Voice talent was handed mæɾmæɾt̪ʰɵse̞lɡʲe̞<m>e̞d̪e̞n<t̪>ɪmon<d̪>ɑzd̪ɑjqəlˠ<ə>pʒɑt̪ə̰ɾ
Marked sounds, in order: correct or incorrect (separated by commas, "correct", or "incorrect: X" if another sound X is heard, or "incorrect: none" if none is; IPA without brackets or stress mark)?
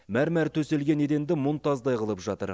incorrect: n, incorrect: d̪, incorrect: t̪, correct